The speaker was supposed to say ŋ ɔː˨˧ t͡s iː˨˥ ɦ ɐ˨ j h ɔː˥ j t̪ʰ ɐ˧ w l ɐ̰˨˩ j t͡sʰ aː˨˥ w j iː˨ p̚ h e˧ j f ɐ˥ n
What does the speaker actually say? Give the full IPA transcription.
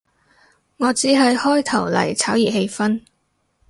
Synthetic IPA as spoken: ŋ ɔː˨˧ t͡s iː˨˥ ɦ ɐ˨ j h ɔː˥ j t̪ʰ ɐ˨˩ w l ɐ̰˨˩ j t͡sʰ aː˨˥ w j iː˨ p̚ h e˧ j f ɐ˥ n